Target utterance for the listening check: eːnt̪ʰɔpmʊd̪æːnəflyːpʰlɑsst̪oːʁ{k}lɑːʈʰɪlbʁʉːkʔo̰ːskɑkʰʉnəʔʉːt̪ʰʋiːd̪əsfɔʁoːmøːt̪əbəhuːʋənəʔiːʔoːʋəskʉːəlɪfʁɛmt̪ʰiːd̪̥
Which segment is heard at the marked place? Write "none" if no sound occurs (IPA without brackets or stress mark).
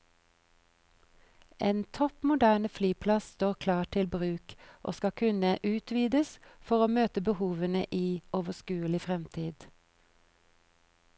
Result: kʰ